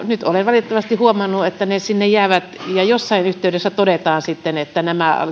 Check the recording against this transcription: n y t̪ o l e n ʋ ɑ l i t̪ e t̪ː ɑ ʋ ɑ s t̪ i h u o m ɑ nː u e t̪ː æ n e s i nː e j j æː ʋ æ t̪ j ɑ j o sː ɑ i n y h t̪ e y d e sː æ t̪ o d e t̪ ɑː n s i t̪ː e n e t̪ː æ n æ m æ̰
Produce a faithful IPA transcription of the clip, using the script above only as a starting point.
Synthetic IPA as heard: n y t̪ o l e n ʋ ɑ l i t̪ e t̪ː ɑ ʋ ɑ s t̪ i h u o m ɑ nː u e t̪ː æ n e s i nː e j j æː ʋ æ t̪ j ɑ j o sː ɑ i n y h t̪ e y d e sː æ t̪ o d e t̪ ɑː n s i t̪ː e n e t̪ː æ n æ m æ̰